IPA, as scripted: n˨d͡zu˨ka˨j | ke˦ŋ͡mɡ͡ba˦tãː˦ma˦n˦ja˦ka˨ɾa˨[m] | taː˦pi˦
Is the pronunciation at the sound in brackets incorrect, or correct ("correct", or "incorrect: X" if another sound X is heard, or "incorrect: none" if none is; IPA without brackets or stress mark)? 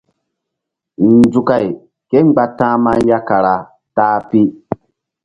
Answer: incorrect: none